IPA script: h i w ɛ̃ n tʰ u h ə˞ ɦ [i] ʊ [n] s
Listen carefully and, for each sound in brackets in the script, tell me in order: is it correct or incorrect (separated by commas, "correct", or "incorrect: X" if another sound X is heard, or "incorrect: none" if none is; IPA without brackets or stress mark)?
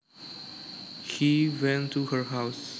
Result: incorrect: a, incorrect: none